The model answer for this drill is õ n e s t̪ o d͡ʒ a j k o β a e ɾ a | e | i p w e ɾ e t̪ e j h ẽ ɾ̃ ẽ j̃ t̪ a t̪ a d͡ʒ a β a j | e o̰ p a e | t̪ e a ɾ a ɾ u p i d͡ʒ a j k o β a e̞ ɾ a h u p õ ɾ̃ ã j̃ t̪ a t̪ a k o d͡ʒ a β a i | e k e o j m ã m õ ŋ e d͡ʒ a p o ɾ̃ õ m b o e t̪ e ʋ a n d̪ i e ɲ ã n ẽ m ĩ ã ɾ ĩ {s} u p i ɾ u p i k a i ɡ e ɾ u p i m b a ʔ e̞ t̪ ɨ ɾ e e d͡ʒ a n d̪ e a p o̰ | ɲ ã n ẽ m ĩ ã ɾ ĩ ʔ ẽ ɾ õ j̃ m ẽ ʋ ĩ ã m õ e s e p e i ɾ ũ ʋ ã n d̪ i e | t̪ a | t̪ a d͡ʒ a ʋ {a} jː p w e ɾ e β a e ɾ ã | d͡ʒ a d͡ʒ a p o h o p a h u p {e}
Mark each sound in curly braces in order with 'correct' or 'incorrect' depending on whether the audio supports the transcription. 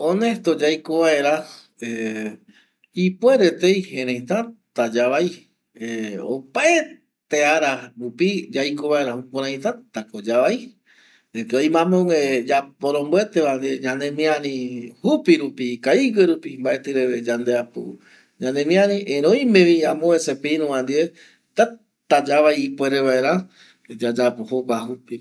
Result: incorrect, correct, incorrect

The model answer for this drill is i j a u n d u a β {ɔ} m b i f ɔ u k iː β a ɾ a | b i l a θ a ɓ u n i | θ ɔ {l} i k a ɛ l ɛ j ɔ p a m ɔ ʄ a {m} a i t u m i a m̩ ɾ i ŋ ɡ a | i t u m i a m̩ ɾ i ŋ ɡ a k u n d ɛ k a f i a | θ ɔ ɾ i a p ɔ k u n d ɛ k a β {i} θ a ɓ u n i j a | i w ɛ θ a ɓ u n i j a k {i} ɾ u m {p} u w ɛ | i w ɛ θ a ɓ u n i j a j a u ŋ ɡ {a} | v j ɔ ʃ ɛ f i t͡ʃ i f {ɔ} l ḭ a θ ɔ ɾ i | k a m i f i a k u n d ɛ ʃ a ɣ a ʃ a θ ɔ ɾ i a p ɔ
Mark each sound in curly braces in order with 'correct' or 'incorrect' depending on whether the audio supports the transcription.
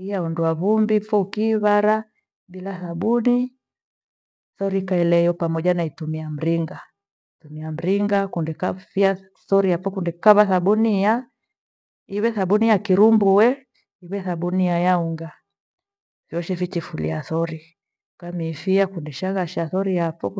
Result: incorrect, incorrect, incorrect, incorrect, correct, incorrect, correct, incorrect

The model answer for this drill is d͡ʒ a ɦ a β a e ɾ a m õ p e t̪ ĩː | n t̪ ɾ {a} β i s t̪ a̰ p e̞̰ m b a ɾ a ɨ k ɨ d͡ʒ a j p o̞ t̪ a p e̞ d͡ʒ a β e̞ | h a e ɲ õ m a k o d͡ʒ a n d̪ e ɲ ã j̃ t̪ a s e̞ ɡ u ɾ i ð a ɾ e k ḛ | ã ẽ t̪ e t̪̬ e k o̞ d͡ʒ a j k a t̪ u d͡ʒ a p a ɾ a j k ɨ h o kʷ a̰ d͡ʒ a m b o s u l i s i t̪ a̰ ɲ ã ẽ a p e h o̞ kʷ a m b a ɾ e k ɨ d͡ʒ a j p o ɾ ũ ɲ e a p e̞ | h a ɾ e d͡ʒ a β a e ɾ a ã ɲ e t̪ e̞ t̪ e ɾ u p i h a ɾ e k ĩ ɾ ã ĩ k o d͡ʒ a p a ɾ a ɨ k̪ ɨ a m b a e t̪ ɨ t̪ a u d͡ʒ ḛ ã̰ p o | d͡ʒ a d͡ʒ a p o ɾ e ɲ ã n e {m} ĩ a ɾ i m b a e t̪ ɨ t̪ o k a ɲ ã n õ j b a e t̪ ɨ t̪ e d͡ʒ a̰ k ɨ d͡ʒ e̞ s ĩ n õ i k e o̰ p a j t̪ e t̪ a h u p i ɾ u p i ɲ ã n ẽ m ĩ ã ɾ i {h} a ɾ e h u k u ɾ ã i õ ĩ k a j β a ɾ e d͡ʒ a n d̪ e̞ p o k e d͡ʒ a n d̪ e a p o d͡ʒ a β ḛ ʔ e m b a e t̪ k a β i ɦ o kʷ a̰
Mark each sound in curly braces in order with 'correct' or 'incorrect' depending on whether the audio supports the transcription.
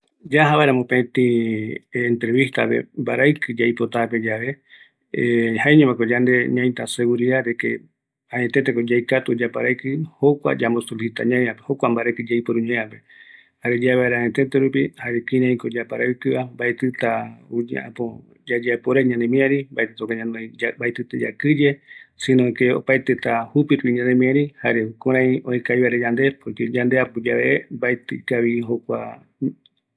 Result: incorrect, correct, correct

